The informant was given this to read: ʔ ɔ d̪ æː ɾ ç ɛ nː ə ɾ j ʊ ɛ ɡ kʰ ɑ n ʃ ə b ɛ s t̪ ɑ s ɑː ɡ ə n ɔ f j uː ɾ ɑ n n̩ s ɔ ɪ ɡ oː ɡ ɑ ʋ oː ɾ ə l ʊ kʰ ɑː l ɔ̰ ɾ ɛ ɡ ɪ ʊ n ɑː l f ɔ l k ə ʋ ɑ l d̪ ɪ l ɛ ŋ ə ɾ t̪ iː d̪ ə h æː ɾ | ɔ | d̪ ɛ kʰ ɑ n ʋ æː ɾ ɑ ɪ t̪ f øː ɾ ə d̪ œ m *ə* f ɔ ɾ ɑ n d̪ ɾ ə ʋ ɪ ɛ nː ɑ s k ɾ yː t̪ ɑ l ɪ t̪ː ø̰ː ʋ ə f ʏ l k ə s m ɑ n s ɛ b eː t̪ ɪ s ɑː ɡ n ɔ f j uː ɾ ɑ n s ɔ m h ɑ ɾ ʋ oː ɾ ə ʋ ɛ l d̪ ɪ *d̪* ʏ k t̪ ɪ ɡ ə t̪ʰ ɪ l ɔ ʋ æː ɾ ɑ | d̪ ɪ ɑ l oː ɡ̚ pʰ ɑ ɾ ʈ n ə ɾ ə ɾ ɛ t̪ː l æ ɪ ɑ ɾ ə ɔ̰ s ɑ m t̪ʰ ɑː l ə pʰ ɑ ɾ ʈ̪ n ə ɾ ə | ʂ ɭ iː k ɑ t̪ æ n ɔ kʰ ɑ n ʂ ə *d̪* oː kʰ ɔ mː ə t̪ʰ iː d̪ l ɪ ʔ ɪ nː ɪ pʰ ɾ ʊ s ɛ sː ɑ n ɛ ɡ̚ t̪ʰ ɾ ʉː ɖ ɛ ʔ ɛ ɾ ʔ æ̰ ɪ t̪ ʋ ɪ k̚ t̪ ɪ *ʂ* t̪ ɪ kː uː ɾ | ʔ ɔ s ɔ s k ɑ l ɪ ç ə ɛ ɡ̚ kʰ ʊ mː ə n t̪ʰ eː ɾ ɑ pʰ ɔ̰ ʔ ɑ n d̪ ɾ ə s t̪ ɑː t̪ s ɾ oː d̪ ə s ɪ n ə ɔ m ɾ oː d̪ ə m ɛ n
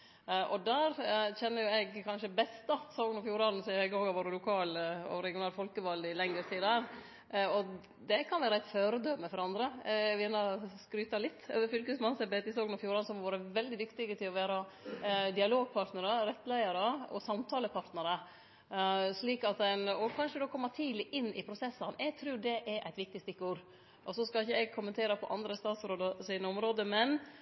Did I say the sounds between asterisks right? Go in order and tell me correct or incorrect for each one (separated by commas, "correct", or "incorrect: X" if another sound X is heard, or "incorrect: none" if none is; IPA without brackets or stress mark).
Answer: correct, correct, correct, incorrect: s